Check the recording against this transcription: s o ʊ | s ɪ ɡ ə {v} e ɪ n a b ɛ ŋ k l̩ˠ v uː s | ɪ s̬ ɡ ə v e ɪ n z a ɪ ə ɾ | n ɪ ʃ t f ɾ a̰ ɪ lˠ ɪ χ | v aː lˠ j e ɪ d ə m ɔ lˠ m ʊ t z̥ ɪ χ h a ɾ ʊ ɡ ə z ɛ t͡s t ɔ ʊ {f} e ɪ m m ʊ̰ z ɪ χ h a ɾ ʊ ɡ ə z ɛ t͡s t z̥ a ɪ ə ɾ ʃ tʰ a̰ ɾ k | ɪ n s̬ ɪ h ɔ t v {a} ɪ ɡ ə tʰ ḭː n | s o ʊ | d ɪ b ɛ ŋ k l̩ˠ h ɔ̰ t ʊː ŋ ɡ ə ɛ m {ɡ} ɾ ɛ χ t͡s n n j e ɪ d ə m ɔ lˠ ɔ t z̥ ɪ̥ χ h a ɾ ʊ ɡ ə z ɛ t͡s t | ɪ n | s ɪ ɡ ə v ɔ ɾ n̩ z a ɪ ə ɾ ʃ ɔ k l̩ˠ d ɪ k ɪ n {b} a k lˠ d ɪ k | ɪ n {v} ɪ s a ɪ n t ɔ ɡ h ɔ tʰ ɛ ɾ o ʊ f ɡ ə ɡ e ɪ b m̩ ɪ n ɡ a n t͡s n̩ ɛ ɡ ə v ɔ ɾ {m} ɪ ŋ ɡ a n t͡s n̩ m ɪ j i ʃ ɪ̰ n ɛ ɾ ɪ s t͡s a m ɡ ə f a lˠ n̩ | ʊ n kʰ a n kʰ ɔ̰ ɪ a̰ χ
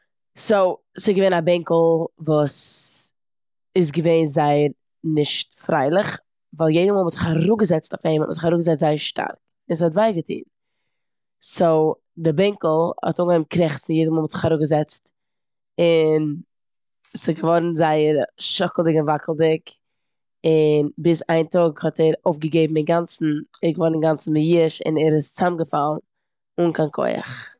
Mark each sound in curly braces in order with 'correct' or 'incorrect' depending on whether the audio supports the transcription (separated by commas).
correct, correct, correct, incorrect, incorrect, incorrect, incorrect